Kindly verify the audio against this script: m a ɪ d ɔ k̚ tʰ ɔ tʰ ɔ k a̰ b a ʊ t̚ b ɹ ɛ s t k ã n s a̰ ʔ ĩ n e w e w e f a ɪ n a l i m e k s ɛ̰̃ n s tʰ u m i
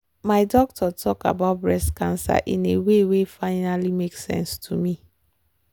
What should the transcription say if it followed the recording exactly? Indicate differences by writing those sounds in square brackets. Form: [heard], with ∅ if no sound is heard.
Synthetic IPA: m a ɪ d ɔ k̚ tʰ ɔ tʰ ɔ k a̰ b a ʊ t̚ b ɹ ɛ s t k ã n s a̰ ʔ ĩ n e w e w e f a ɪ n a l i m e k s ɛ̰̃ n s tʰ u m i